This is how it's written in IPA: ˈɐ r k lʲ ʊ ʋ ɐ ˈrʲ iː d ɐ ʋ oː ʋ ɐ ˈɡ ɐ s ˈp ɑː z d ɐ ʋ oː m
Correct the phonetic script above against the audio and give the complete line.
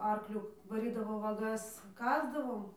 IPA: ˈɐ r k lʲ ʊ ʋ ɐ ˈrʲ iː d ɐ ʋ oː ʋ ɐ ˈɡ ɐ s ˈk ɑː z d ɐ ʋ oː m